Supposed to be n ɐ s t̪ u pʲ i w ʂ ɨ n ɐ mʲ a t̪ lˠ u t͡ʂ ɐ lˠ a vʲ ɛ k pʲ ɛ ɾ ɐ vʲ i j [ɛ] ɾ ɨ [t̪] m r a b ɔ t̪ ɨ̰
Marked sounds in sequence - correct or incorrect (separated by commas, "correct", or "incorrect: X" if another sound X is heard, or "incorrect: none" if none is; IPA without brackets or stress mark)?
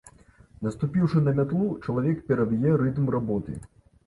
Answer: correct, correct